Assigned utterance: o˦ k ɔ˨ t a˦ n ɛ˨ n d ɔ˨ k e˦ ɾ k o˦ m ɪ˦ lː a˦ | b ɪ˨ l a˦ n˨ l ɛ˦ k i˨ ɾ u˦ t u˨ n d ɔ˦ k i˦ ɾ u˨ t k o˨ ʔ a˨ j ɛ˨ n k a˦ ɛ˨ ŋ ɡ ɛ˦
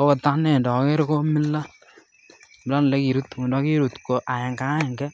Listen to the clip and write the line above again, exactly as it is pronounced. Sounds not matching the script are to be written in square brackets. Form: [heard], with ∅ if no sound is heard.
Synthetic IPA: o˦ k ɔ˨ t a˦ n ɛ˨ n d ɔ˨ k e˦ ɾ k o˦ m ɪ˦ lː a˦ | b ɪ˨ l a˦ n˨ l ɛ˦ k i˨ ɾ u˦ t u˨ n d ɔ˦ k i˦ ɾ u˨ t k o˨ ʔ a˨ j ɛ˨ [ŋ] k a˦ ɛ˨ ŋ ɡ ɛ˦